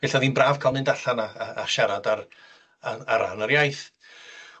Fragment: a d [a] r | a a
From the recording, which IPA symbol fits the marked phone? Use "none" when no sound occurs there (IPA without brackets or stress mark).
a